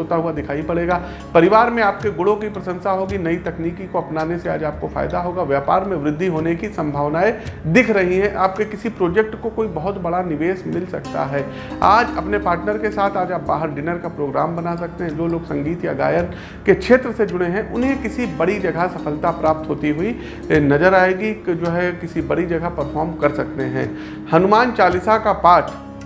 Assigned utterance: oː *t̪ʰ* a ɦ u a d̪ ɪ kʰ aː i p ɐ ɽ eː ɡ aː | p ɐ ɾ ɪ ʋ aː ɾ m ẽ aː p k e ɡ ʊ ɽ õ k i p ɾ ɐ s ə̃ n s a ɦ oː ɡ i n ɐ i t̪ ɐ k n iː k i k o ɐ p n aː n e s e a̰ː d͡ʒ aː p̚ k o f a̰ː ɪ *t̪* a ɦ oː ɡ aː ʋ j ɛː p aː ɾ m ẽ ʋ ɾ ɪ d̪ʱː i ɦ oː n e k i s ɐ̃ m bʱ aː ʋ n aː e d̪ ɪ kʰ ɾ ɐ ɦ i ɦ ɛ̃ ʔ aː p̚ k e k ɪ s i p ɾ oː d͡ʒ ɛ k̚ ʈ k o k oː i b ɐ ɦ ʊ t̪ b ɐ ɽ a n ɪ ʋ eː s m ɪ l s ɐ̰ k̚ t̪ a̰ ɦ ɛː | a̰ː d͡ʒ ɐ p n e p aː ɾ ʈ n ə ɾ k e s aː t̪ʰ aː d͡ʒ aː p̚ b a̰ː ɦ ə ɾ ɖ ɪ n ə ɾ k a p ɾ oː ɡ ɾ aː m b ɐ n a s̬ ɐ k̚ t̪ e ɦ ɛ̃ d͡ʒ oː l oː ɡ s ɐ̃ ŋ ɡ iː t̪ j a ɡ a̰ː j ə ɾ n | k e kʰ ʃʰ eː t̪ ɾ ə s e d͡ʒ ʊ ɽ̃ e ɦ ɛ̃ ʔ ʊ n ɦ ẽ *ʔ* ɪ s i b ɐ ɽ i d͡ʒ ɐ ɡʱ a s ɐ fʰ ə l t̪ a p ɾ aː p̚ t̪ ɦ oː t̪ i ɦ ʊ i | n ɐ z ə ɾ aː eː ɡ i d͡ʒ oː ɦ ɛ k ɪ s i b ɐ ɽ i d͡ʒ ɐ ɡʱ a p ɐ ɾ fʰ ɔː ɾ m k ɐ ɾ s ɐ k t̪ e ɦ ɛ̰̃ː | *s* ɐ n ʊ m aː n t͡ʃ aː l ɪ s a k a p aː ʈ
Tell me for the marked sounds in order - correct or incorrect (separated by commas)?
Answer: incorrect, incorrect, incorrect, incorrect